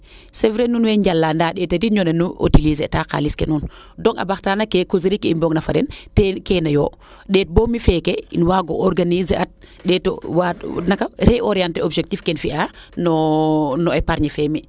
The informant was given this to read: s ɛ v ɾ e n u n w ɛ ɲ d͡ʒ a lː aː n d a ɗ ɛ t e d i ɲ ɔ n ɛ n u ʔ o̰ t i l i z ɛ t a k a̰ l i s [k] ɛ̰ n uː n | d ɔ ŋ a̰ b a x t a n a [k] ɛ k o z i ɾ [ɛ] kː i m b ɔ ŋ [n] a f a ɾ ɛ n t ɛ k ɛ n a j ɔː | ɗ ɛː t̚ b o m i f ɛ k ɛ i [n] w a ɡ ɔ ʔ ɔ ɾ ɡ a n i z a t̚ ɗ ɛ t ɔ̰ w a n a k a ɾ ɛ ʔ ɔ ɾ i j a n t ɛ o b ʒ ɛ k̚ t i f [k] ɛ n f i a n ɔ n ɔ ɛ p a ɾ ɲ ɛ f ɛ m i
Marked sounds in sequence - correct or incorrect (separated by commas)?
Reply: correct, correct, incorrect, correct, correct, correct